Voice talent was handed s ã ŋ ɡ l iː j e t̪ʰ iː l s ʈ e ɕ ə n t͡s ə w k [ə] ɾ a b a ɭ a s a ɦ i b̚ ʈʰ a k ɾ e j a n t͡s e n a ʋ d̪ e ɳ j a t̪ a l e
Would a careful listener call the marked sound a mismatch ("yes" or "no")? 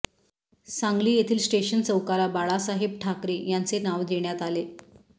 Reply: yes